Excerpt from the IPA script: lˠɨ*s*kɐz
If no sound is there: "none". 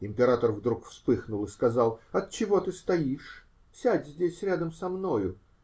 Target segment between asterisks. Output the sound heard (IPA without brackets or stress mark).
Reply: s